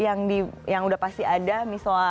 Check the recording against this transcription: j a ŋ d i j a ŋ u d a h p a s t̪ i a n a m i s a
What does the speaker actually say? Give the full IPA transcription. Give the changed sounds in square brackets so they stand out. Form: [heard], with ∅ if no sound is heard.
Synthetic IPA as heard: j a ŋ d i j a ŋ u d a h p a s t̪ i a [d] a m i s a